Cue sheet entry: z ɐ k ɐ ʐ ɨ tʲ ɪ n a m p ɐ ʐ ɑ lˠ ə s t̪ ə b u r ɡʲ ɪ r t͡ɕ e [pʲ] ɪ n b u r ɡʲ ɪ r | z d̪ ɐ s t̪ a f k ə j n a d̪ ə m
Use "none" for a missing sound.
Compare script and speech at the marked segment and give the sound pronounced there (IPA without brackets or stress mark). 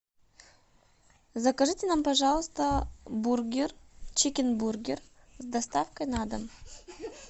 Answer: kʲ